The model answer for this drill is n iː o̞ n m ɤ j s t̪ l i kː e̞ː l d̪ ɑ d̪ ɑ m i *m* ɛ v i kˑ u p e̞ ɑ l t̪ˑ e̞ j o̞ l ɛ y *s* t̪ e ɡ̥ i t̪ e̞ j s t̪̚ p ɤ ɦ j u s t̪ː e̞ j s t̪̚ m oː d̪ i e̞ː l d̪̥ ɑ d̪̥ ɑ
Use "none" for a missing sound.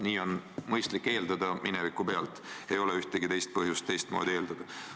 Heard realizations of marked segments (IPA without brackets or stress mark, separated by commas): n, h